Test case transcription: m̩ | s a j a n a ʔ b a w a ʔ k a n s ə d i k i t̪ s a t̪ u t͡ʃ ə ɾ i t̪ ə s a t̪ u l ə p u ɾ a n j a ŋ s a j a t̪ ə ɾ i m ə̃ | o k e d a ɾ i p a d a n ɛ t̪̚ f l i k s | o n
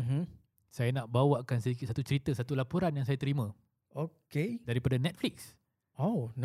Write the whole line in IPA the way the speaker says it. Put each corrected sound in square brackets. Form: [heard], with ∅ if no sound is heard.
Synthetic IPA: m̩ | s a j a n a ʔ b a w a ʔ k a n s ə d i k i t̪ s a t̪ u t͡ʃ ə ɾ i t̪ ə s a t̪ u l [a] p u ɾ a n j a ŋ s a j a t̪ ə ɾ i m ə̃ | o k e d a ɾ i p a d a n ɛ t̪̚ f l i k s | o n